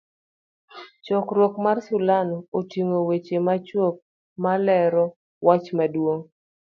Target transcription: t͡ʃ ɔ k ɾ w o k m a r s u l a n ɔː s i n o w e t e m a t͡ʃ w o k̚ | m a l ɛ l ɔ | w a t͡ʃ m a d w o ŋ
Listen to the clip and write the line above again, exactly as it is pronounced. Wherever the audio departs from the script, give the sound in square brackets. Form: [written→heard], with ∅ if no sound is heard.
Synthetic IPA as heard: t͡ʃ ɔ k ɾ w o k m a r s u l a n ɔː [s→t] i [n→ŋ] o w e [t→t͡ʃ] e m a t͡ʃ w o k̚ | m a l ɛ [l→ɾ] ɔ | w a t͡ʃ m a d w o ŋ